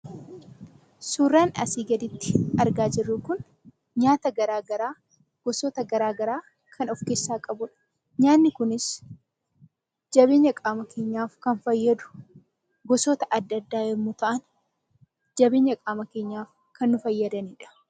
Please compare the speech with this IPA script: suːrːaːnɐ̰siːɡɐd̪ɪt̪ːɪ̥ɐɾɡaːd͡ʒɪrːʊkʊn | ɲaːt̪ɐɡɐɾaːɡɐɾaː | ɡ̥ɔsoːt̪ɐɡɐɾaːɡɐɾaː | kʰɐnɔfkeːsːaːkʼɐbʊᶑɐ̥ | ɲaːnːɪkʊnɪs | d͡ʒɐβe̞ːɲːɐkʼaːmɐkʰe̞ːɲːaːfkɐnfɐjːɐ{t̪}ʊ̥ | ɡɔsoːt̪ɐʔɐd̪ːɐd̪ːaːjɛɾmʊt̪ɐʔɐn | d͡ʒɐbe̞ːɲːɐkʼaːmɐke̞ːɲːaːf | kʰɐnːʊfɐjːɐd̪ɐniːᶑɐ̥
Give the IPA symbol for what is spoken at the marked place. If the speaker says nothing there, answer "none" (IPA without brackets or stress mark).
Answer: d̪